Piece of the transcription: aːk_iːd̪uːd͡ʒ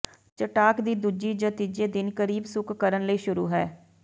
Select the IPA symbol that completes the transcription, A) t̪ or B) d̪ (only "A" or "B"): B